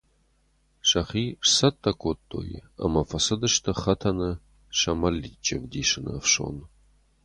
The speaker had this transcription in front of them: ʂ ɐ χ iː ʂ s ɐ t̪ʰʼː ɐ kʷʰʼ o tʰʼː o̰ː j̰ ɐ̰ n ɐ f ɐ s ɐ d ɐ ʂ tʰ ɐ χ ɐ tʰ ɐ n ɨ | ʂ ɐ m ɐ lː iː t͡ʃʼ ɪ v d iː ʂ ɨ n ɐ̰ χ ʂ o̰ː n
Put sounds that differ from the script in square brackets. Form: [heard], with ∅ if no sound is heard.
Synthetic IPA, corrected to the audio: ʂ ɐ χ iː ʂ s ɐ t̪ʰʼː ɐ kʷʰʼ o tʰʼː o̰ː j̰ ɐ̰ [m] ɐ f ɐ s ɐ d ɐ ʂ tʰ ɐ χ ɐ tʰ ɐ n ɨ | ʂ ɐ m ɐ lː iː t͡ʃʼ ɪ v d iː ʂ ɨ n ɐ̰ [f] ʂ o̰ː n